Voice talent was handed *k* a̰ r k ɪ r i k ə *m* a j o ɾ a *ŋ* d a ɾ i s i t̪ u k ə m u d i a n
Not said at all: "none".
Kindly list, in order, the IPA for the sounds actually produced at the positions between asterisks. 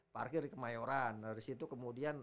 p, m, n

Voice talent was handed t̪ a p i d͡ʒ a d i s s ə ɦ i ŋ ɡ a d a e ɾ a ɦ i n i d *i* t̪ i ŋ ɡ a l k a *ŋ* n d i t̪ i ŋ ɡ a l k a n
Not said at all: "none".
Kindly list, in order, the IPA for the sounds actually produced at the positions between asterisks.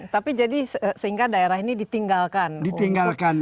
i, none

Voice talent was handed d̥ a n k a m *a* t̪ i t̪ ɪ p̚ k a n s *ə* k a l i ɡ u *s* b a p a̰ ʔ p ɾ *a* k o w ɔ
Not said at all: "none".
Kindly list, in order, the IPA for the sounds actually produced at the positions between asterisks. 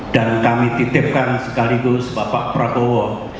i, ə, s, a

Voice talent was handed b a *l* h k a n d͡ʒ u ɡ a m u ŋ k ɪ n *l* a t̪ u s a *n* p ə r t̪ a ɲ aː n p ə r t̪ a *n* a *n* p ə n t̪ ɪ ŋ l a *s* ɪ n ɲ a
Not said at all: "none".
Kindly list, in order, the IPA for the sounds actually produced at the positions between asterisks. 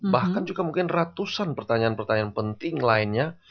none, r, n, ɲ, n, none

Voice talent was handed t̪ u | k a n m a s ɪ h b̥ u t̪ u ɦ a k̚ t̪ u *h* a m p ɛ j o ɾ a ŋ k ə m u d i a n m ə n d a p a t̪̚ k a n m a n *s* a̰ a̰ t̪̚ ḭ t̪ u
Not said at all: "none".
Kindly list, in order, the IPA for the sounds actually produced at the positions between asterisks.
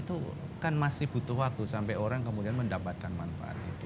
s, f

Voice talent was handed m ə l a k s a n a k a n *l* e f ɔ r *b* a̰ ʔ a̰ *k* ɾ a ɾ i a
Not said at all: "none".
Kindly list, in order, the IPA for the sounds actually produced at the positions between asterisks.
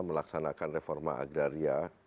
r, m, ɡ

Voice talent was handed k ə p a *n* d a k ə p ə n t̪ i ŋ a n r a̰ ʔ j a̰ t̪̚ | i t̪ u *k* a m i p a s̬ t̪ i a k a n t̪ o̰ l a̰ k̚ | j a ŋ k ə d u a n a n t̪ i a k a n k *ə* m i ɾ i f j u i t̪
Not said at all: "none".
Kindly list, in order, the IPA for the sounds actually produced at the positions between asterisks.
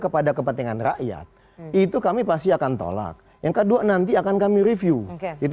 none, k, a

